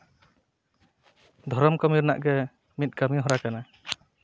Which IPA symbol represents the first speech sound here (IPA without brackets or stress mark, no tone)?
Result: d̪ʱ